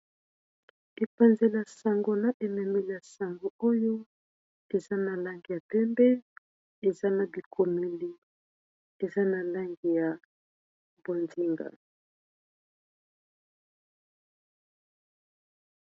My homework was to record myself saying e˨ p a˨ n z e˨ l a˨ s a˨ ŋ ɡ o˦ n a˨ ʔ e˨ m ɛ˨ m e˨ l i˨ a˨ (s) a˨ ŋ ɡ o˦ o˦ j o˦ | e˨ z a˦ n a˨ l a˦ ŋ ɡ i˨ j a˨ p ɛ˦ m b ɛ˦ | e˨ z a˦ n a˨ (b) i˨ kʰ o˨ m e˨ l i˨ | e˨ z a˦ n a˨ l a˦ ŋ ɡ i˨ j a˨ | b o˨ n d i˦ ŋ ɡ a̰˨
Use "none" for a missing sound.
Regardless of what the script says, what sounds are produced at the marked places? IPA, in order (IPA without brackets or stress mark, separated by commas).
s, b